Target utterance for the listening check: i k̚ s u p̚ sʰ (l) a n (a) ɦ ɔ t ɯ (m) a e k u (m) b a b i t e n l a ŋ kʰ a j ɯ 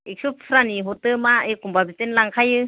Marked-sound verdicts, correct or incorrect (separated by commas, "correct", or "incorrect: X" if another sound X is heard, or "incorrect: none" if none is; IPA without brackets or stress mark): incorrect: ɾ, incorrect: i, correct, correct